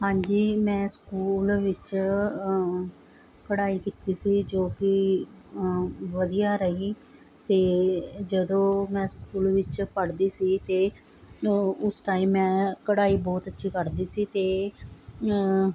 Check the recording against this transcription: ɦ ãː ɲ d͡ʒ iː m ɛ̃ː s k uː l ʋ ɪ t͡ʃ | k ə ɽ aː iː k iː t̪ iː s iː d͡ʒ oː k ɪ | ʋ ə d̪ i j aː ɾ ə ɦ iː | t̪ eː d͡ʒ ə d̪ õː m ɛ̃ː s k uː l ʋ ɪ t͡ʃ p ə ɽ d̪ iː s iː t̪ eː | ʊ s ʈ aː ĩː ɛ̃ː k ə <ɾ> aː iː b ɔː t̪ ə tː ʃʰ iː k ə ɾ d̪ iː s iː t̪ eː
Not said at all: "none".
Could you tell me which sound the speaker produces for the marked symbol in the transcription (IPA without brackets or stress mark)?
ɽ